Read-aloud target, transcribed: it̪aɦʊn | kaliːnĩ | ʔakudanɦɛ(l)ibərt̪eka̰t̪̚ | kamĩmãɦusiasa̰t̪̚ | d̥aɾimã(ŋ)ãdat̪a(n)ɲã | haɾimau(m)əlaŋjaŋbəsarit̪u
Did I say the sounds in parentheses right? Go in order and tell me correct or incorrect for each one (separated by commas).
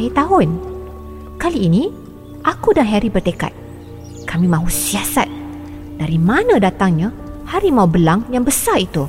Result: incorrect, incorrect, incorrect, incorrect